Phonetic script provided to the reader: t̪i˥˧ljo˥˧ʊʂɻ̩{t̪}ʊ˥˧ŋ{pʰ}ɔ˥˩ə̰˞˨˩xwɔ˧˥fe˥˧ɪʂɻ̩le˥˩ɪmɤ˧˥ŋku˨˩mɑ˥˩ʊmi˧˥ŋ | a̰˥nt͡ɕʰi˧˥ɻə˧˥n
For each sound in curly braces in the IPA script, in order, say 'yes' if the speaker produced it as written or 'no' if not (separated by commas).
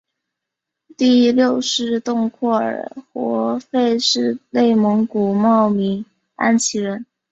yes, no